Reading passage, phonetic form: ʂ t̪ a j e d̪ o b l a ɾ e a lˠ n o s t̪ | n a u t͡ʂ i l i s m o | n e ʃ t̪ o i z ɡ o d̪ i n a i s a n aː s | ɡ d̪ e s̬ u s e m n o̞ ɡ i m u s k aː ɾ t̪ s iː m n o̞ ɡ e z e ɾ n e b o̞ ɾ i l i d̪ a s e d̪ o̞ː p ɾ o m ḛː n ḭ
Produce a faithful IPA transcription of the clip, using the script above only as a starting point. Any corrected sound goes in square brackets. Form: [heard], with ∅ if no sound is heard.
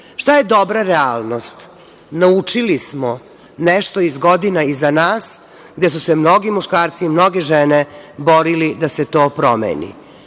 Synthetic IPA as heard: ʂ t̪ a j e d̪ o b [ɾ] a ɾ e a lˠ n o s t̪ | n a u t͡ʂ i l i s m o | n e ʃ t̪ o i z ɡ o d̪ i n a i [z] a n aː s | ɡ d̪ e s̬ u s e m n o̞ ɡ i m u [ʃ] k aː ɾ t̪ s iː m n o̞ ɡ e [ʒ] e [∅] n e b o̞ ɾ i l i d̪ a s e [t̪] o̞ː p ɾ o m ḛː n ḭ